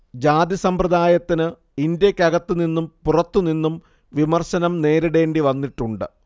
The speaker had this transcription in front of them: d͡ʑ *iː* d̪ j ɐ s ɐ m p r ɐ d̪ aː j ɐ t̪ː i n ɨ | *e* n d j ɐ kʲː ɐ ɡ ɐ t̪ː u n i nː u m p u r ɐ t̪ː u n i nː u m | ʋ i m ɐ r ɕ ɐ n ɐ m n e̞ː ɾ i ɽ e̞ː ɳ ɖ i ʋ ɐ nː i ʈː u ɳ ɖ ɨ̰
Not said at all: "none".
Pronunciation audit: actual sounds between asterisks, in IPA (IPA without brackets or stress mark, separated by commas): aː, i